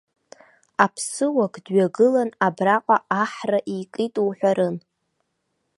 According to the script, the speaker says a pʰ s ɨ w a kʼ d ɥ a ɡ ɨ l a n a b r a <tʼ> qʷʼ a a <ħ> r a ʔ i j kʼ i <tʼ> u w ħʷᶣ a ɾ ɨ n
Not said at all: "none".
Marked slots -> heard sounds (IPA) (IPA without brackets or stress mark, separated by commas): none, ħ, tʼ